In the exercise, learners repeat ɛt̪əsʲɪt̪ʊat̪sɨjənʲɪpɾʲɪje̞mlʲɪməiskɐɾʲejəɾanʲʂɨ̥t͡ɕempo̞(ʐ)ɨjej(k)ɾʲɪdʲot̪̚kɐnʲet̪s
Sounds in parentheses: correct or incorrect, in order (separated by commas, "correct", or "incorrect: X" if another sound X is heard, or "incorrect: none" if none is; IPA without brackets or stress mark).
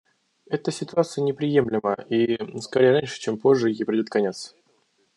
incorrect: ʐː, incorrect: p